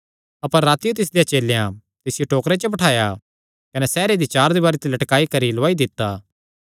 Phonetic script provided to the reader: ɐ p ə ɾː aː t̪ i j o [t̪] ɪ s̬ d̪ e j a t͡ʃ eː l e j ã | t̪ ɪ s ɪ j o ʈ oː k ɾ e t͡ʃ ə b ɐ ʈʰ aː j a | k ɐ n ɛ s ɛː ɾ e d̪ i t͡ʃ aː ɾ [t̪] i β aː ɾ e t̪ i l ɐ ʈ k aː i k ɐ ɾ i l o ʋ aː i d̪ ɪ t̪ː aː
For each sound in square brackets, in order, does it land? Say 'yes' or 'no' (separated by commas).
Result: yes, no